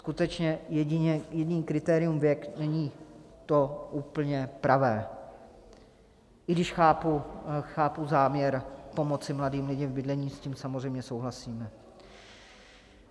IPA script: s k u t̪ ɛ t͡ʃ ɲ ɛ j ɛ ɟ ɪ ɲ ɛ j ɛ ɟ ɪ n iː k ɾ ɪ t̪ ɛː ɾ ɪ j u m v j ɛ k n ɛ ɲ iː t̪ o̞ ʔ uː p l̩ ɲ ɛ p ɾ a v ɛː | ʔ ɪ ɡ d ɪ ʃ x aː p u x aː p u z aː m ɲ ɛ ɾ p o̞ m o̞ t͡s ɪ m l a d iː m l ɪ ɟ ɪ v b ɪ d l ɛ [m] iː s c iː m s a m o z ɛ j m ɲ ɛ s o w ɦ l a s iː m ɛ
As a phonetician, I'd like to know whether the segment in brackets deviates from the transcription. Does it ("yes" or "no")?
yes